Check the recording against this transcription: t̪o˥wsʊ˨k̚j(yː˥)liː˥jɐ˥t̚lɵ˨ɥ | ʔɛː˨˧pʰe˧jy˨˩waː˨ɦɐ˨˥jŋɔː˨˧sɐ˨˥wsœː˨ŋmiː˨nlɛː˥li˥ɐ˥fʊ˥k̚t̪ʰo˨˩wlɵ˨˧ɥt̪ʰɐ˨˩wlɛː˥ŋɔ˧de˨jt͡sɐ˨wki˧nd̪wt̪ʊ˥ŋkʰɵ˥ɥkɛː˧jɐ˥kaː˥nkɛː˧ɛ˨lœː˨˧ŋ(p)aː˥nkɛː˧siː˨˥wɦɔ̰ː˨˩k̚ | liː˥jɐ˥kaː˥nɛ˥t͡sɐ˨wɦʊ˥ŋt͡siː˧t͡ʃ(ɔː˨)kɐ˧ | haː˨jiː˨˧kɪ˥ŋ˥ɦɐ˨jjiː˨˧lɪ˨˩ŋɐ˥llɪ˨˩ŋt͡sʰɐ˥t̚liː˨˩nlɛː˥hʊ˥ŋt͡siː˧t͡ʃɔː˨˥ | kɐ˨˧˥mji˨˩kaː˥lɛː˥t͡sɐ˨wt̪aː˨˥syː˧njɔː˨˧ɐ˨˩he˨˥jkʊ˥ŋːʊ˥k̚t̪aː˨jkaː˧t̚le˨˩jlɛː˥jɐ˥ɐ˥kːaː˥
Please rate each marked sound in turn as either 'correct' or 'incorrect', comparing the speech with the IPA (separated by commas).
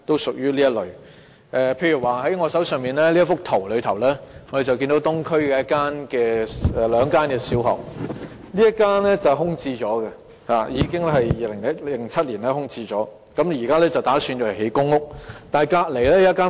correct, incorrect, incorrect